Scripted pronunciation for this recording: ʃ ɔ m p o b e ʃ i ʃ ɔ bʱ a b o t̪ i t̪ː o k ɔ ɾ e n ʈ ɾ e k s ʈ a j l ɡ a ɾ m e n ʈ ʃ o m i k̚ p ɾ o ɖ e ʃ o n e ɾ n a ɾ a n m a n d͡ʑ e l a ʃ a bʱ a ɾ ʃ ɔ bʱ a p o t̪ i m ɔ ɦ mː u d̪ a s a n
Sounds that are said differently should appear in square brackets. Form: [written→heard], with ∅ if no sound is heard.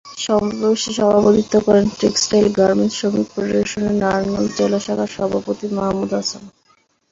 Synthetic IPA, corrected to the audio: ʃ ɔ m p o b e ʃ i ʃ ɔ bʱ a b o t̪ i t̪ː o k ɔ ɾ e n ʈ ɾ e k s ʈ a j l ɡ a ɾ m e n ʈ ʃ o m i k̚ p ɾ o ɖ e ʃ o n e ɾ n a ɾ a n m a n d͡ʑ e l a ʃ a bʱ a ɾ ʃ ɔ bʱ a p o t̪ i m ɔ ɦ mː u d̪ a s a n